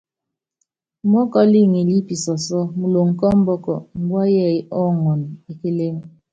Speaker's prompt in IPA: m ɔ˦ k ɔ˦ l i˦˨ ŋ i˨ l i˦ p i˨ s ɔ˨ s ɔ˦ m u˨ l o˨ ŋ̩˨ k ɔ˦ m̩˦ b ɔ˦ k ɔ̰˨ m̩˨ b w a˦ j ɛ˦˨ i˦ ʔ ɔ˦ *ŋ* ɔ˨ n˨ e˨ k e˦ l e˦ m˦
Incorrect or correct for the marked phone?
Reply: correct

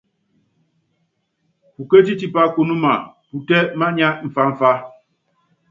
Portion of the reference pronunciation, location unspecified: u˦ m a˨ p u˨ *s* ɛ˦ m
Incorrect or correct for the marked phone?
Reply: incorrect: t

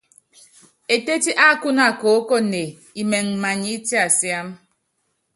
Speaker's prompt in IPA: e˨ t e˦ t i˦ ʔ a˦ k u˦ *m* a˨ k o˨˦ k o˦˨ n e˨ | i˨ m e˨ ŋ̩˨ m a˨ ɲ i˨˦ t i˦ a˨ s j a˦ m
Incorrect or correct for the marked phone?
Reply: incorrect: n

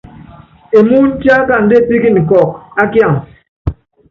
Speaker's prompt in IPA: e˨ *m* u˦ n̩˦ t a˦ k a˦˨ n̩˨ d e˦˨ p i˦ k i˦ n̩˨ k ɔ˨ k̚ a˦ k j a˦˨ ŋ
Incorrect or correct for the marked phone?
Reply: correct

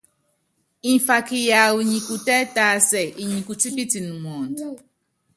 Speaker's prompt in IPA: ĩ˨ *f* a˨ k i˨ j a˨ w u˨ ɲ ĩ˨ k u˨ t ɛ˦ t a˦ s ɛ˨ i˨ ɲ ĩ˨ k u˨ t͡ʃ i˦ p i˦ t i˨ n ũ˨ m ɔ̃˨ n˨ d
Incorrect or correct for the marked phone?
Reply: correct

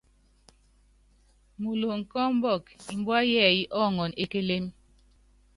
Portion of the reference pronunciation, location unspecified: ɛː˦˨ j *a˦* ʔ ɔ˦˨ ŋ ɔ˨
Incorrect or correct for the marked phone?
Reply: incorrect: i˦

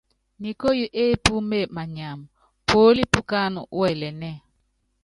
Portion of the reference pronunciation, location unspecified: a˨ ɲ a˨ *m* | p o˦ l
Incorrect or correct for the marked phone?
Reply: correct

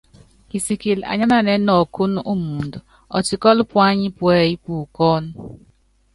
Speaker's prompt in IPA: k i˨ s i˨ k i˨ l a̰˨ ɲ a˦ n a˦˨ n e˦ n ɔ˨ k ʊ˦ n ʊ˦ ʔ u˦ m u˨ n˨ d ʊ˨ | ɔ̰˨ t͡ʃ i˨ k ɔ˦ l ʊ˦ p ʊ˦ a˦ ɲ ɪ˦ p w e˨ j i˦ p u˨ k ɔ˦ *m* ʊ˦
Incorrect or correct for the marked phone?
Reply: incorrect: n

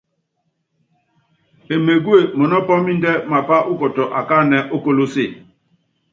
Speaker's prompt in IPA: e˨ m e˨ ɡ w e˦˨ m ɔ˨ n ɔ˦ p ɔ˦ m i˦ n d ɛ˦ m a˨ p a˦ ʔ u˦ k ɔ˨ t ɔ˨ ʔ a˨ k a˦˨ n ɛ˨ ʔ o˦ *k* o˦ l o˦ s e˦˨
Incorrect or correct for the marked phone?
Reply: correct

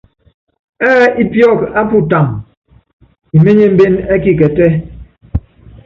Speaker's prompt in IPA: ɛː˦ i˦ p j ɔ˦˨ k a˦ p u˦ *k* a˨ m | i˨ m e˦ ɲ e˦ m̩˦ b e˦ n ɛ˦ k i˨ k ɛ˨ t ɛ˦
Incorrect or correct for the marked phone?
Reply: incorrect: t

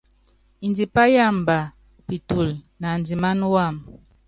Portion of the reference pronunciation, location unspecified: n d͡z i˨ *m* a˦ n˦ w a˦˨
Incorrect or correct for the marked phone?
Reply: correct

